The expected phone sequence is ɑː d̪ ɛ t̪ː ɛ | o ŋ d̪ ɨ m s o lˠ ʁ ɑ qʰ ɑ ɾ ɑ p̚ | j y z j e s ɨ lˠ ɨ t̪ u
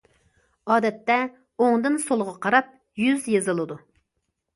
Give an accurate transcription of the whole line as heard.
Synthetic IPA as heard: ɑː d̪ ɛ t̪ː ɛ | o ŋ d̪ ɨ n s o lˠ ʁ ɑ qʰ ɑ ɾ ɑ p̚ | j y z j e z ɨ lˠ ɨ d̪ u

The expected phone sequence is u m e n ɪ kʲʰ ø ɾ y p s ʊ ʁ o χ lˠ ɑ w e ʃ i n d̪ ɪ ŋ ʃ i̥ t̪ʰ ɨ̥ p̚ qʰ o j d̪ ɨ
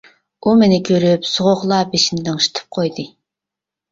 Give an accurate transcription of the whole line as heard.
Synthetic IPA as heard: u m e n ɪ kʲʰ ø ɾ y p s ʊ ʁ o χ lˠ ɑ b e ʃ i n d̪ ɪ ŋ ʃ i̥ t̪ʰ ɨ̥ p̚ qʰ o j d̪ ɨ

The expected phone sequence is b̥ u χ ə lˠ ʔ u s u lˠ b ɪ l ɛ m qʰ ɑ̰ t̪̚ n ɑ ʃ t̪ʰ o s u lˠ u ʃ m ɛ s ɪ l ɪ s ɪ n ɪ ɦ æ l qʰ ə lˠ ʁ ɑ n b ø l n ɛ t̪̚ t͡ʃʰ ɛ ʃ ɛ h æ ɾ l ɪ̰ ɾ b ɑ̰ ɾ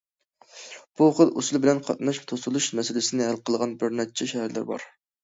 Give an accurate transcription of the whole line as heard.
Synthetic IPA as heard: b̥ u χ ə lˠ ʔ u s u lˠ b ɪ l ɛ n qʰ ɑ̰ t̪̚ n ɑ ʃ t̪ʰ o s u lˠ u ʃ m ɛ s ɪ l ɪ s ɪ n ɪ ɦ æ l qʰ ə lˠ ʁ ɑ n b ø ɾ n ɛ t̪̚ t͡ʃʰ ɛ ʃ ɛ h æ ɾ l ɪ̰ ɾ b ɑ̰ ɾ

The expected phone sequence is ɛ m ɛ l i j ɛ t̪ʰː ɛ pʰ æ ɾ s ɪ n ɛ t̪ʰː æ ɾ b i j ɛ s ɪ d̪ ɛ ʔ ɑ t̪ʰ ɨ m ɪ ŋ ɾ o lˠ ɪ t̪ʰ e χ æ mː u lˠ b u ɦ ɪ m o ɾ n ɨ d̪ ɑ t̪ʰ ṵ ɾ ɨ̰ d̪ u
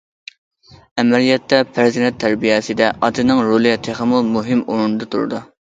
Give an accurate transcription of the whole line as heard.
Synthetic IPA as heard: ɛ m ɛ l i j ɛ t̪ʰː ɛ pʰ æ ɾ z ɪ n ɛ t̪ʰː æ ɾ b i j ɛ s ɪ d̪ ɛ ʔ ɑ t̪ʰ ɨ n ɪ ŋ ɾ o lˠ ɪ t̪ʰ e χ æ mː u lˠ m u ɦ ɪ m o ɾ n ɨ d̪ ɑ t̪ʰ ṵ ɾ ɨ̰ d̪ u

